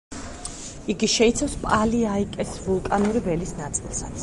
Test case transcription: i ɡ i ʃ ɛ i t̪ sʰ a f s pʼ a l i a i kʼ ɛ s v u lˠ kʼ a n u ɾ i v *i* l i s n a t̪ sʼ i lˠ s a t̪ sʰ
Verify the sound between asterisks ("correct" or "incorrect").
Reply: incorrect